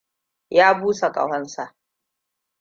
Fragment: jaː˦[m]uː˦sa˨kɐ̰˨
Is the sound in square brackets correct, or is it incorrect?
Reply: incorrect